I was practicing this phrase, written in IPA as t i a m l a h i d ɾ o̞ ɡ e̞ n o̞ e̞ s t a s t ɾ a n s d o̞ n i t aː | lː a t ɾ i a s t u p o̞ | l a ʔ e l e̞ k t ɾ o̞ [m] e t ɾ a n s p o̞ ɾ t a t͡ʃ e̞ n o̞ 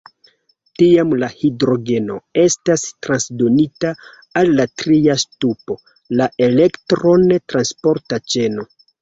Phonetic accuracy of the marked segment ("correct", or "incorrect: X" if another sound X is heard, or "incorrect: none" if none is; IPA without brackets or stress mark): incorrect: n